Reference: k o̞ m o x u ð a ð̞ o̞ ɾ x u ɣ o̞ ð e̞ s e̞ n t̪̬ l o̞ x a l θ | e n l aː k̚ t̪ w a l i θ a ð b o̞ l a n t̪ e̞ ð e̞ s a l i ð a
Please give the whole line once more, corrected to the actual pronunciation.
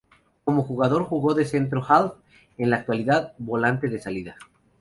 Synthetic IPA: k o̞ m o x u ɣ a ð̞ o̞ ɾ x u ɣ o̞ ð e̞ s e̞ n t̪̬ ɾ o̞ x a l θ | e n l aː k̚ t̪ w a l i ð a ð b o̞ l a n t̪ e̞ ð e̞ s a l i ð a